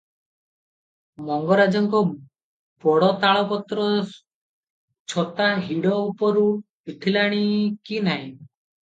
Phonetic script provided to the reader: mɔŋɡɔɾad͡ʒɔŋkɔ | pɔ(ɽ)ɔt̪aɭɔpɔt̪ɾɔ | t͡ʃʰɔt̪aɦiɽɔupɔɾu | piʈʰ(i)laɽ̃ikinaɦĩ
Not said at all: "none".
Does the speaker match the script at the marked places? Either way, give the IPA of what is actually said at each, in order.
ɽ, i

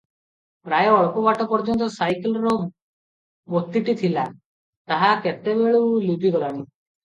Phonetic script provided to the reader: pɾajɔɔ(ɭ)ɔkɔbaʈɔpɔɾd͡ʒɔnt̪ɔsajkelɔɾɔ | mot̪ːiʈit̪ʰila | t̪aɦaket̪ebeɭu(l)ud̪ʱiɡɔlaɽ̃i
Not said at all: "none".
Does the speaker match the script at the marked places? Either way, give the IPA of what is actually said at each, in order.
ɭ, l

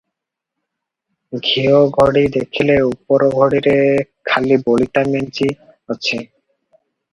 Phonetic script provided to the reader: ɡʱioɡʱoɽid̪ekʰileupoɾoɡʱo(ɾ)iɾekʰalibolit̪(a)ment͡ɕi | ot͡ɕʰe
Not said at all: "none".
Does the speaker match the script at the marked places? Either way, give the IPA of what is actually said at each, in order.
ɽ, a

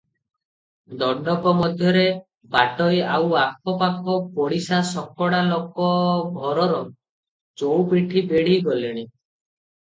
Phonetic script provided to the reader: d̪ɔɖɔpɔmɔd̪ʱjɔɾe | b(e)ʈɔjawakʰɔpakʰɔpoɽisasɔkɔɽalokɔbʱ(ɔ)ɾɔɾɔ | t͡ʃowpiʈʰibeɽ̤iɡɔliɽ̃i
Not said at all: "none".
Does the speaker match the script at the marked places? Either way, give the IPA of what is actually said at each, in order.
a, ɔ

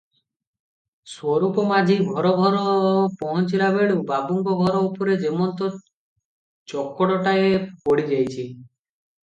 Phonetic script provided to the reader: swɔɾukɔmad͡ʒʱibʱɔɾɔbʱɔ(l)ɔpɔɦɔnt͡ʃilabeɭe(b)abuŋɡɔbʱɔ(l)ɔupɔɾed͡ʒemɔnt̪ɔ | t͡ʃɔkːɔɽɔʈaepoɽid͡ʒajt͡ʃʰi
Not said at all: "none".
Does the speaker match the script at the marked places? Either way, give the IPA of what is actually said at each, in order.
ɾ, b, ɾ

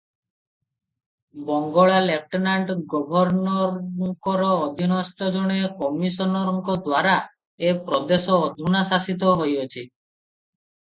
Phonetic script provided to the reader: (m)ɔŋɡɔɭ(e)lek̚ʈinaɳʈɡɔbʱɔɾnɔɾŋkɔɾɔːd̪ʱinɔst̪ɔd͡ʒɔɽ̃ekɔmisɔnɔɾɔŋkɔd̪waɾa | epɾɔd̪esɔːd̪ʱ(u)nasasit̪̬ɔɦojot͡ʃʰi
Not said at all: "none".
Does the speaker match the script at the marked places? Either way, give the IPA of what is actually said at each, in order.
b, a, u

